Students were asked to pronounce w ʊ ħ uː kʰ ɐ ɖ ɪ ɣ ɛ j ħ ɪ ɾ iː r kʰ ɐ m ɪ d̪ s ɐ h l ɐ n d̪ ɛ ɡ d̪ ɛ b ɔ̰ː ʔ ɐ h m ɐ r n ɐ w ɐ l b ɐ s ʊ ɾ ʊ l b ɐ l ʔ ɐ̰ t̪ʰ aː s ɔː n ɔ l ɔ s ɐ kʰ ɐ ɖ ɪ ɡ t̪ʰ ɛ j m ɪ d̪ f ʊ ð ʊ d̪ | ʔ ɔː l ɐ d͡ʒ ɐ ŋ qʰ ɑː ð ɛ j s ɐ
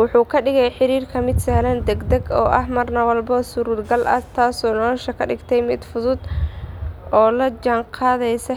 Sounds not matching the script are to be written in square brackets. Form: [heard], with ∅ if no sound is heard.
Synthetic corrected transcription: w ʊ ħ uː kʰ ɐ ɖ ɪ ɣ ɛ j ħ ɪ ɾ iː r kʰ ɐ m ɪ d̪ s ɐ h l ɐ n d̪ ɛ ɡ d̪ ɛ [ɡ] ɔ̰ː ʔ ɐ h m ɐ r n ɐ w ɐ l b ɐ s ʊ ɾ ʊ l [ɡ] ɐ l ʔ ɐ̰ t̪ʰ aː s ɔː n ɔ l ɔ [ʃ] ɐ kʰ ɐ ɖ ɪ ɡ t̪ʰ ɛ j m ɪ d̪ f ʊ ð ʊ d̪ | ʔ ɔː l ɐ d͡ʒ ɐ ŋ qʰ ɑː ð ɛ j s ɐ